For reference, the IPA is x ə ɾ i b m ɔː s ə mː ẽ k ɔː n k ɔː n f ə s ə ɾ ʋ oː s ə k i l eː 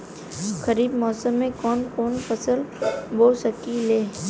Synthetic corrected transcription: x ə ɾ iː b m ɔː s ə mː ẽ k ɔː n k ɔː n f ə s ə l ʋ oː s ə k i l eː